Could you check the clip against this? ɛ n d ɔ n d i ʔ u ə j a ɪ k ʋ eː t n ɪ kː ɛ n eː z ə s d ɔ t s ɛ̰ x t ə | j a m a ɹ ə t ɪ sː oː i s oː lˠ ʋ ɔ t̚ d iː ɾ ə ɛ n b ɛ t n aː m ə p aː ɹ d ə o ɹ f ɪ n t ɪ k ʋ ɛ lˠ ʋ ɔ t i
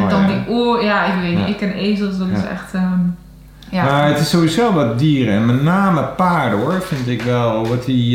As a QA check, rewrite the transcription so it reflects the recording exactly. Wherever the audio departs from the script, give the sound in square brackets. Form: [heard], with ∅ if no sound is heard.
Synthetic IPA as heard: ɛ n d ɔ n d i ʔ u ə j a ɪ k ʋ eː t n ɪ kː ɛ n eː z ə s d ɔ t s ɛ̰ x t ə | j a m a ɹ ə t ɪ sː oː i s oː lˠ ʋ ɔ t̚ d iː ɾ ə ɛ n [m] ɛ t n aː m ə p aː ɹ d ə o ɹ f ɪ n t ɪ k ʋ ɛ lˠ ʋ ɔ t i